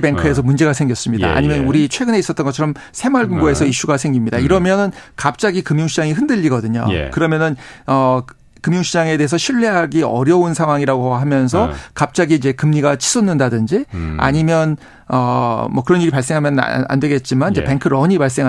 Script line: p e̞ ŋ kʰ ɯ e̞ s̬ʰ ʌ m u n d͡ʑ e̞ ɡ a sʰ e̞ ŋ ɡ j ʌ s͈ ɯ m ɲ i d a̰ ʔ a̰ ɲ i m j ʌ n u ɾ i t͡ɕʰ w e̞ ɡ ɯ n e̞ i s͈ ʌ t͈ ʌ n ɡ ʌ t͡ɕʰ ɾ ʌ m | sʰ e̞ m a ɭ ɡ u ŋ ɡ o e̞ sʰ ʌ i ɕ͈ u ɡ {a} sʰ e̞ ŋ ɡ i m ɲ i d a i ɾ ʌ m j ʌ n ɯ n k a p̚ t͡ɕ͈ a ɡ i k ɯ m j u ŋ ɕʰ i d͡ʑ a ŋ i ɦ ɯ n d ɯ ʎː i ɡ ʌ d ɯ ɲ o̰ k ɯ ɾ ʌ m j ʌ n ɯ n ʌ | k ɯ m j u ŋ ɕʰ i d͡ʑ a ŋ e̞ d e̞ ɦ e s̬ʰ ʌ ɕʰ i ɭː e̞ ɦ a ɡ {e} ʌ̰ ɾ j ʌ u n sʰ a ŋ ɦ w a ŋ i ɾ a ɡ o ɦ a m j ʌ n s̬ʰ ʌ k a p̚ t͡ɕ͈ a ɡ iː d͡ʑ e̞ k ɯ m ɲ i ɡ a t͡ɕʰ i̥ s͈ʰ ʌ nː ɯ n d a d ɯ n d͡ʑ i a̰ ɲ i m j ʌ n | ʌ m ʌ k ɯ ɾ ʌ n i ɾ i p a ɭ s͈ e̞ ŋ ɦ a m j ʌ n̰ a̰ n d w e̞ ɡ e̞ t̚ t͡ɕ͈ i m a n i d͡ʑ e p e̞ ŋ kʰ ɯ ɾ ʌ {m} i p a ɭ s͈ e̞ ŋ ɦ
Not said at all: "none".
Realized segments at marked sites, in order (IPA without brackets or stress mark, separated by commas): a, i, ɲ